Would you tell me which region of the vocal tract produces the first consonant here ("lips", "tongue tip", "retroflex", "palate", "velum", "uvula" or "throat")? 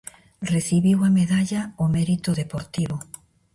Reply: tongue tip